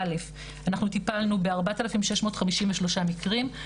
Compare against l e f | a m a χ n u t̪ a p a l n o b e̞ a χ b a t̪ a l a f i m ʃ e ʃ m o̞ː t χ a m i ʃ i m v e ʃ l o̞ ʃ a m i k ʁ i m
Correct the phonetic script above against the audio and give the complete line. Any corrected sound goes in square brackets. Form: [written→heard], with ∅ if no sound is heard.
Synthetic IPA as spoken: l e f | a [m→n] a χ n u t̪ [a→i] p a l n [o→u] b e̞ a [χ→ʁ] b a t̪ a l a f i m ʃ e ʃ m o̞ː t χ a m i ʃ i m v e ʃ l o̞ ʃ a m i k ʁ i m